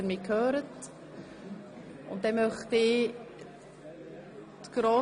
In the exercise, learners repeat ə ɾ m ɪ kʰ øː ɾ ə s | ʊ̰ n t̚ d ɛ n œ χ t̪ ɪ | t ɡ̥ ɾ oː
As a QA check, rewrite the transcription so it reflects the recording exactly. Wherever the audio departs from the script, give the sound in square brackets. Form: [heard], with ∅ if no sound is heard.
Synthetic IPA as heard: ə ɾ m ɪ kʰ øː ɾ ə [t] | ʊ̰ n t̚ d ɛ [m] œ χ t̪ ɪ | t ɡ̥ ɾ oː

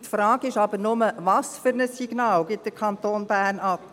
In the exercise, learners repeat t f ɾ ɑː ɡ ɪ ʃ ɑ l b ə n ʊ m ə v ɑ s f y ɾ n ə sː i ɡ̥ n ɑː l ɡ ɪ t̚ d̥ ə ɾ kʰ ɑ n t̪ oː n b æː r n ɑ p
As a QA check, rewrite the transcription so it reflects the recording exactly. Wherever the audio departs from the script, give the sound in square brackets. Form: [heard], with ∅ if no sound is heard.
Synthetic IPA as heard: t f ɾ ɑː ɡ ɪ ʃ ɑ [∅] b ə n ʊ m ə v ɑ s f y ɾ n ə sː i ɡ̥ n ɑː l ɡ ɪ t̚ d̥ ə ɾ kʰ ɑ n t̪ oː n b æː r n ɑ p

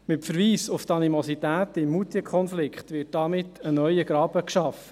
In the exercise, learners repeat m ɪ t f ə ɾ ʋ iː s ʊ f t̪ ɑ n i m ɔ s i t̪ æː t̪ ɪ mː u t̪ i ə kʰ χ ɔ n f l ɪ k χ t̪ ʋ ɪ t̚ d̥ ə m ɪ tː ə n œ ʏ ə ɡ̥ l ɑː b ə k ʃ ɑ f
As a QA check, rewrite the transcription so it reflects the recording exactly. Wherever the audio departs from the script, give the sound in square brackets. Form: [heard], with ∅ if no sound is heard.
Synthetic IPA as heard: m ɪ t f ə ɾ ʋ iː s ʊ f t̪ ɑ n i m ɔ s i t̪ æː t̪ ɪ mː u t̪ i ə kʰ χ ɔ n f l ɪ k χ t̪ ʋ ɪ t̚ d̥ [ɑ] m ɪ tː ə n œ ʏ ə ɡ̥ [ɾ] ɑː b ə k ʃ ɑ f

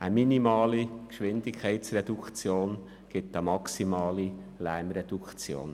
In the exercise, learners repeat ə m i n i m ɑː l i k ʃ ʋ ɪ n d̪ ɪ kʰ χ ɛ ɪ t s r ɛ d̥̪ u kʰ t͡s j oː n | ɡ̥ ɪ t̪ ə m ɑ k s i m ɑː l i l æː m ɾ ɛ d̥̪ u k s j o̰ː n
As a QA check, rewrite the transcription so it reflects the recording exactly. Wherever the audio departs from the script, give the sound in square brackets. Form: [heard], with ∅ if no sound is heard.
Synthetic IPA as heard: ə m i n i m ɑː l i k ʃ ʋ ɪ n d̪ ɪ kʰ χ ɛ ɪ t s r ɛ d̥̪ u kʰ t͡s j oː n | ɡ̥ ɪ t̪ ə m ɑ k s i m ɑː l i l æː m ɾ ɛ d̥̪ u k [t͡s] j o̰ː n

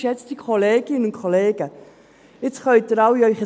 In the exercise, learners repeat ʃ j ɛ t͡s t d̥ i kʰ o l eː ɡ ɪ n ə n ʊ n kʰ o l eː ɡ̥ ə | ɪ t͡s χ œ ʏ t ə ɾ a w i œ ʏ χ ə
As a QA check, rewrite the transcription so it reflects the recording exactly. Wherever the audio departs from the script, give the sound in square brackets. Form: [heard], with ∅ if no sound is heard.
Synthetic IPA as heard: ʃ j ɛ t͡s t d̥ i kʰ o l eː ɡ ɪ n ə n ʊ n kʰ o l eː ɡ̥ ə | ɪ t͡s χ œ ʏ t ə ɾ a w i œ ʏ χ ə

